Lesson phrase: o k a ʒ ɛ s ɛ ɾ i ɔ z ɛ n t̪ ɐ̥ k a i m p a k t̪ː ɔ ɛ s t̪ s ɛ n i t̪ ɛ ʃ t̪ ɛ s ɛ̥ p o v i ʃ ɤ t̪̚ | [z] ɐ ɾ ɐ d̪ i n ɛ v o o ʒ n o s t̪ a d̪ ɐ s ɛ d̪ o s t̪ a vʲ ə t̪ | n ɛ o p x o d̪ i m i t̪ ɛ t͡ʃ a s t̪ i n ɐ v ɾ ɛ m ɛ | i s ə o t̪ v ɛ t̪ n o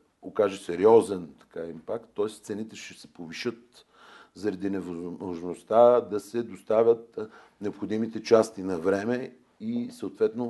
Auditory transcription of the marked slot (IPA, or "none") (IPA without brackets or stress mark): z